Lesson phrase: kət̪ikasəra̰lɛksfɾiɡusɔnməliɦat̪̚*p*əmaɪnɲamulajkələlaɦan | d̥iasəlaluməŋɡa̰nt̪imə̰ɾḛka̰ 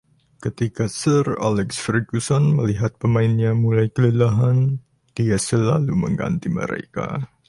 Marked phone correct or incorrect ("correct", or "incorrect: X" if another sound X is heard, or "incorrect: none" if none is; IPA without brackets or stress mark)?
correct